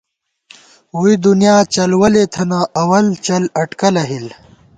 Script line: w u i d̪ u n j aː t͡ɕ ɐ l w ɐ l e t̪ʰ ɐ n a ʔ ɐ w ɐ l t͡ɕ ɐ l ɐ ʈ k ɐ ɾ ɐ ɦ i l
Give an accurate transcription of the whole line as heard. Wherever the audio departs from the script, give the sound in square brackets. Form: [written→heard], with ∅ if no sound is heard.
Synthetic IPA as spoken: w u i d̪ u n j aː t͡ɕ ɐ l w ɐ l e t̪ʰ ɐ n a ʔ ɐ w ɐ l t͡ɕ ɐ l ɐ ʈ k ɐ [ɾ→l] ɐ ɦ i l